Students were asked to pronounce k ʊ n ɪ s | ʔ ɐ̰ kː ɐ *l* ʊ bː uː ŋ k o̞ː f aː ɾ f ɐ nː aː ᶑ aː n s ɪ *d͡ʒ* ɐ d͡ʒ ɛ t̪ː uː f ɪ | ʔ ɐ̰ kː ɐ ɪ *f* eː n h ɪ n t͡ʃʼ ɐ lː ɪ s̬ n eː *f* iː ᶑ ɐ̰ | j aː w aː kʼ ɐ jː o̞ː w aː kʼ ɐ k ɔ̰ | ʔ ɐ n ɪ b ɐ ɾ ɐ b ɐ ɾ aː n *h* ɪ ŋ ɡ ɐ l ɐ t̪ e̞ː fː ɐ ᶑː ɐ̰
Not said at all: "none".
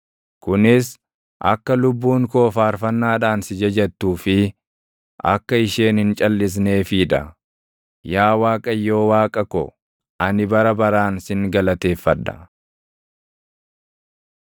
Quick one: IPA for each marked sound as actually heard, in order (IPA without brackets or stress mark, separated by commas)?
l, d͡ʒ, ʃ, f, s